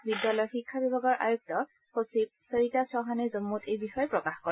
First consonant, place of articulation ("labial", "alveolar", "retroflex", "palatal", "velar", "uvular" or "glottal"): labial